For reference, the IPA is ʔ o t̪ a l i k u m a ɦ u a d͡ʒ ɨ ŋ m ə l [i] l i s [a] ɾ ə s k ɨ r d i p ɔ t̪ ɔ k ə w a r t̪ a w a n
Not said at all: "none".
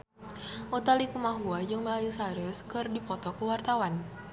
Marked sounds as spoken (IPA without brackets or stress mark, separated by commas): a, a